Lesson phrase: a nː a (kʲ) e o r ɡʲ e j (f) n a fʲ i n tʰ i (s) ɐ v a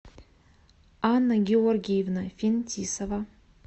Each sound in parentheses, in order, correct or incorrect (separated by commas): incorrect, incorrect, correct